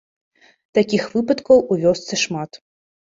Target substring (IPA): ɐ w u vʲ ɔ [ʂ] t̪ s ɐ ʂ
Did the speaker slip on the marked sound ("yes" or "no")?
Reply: yes